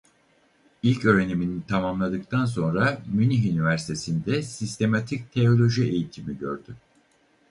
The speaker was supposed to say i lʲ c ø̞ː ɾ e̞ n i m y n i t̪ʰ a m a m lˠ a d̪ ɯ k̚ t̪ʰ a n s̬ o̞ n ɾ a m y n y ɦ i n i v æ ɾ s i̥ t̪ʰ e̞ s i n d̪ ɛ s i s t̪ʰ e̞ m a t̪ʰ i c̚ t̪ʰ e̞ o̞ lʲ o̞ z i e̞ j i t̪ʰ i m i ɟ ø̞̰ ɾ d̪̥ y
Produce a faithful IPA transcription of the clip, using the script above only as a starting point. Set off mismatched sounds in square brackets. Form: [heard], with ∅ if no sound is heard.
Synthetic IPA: i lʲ c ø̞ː ɾ e̞ n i m [i] n i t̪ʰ a m a m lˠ a d̪ ɯ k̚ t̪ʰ a n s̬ o̞ n ɾ a m y n [i] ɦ [y] n i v æ ɾ s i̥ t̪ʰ e̞ s i n d̪ ɛ s i s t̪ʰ e̞ m a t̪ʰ i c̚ t̪ʰ e̞ o̞ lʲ o̞ [ʒ] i e̞ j i t̪ʰ i m i ɟ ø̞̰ ɾ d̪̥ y